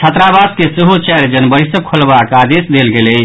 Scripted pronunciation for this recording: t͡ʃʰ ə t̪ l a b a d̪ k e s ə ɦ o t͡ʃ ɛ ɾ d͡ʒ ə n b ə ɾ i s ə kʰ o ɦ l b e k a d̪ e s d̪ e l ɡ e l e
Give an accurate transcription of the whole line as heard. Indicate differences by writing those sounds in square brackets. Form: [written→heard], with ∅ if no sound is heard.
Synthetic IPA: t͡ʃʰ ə t̪ [l→ɾ] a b a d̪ k e s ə ɦ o t͡ʃ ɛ ɾ d͡ʒ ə n b ə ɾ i s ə kʰ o [ɦ→∅] l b [e→a] k a d̪ e s d̪ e l ɡ e l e